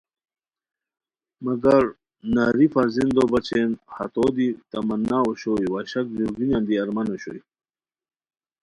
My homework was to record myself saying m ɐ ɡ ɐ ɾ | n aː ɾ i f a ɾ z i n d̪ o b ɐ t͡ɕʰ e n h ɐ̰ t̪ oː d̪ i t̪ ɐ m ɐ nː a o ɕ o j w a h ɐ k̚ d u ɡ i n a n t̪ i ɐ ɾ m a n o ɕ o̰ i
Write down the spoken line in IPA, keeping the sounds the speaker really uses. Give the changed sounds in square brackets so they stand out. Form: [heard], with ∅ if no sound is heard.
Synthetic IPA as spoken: m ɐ ɡ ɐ ɾ | n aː ɾ i f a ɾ z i n d̪ o b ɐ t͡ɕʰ e n h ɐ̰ t̪ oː d̪ i t̪ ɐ m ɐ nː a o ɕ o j w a [ɕ] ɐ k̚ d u ɡ i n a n [d̪] i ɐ ɾ m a n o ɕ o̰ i